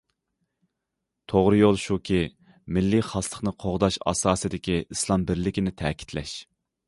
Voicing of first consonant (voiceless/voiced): voiceless